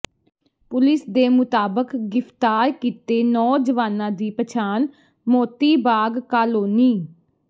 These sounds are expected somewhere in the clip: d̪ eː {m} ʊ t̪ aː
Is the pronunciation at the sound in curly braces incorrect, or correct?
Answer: correct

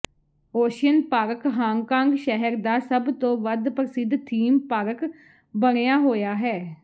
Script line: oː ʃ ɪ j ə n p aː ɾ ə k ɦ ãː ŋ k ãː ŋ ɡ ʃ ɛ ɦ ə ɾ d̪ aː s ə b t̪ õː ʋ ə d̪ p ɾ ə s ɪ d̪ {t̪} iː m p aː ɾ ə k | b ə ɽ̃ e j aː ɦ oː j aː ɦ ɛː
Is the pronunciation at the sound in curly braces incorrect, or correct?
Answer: incorrect: t̪ʰ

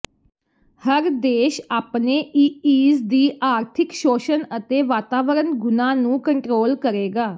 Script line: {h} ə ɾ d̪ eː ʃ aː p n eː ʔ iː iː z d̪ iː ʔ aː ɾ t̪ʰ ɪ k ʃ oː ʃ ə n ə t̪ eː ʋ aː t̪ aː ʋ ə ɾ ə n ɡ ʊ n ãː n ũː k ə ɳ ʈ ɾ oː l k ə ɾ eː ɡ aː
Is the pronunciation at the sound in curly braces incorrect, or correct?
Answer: correct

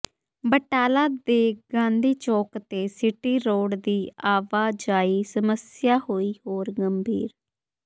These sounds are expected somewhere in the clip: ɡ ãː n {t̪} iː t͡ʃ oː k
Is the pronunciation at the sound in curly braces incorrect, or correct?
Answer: incorrect: d̪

